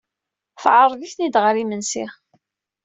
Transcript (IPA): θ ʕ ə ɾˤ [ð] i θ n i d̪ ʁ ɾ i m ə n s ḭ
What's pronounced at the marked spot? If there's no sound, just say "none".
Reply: ð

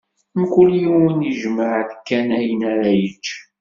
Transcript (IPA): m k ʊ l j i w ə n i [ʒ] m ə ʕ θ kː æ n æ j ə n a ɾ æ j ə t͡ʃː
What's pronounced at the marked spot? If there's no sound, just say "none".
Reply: ʒ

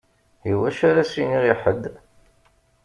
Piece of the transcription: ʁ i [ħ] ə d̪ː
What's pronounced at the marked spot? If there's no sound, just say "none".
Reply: ħ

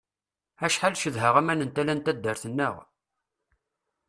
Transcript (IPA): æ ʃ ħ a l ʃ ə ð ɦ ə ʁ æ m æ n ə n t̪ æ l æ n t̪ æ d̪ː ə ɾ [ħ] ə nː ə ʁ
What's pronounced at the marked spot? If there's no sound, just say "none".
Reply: θ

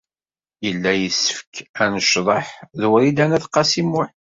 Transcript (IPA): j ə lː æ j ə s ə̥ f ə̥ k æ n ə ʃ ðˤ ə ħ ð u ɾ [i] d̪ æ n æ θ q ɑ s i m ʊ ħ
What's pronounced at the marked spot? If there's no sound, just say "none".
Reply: i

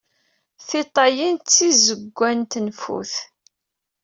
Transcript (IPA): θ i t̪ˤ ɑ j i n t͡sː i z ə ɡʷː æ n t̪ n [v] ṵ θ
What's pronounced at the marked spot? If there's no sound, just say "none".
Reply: f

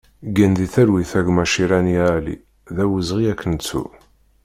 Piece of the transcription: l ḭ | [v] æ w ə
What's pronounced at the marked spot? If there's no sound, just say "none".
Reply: ð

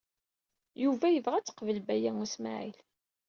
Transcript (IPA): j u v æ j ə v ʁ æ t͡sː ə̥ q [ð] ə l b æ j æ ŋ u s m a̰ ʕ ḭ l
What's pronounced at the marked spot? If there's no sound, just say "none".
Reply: v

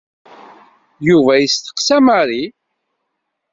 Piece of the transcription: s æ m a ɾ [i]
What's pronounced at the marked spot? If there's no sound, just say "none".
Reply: i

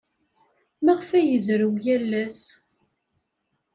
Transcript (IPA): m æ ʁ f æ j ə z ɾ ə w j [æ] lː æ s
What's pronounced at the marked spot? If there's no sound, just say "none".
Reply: æ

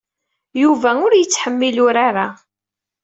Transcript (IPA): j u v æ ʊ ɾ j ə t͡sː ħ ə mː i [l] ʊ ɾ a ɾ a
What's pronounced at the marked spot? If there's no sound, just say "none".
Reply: l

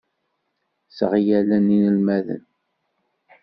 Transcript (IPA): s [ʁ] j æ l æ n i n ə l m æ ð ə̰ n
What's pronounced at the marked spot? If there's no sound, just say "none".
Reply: ʁ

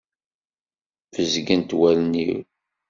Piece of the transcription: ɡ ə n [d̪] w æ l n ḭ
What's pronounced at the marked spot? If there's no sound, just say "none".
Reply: t̪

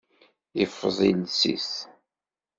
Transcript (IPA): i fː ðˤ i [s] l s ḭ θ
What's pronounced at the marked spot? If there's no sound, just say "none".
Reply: none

